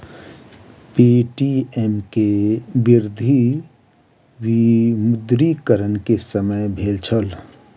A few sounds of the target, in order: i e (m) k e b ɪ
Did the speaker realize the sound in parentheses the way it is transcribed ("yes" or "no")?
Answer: yes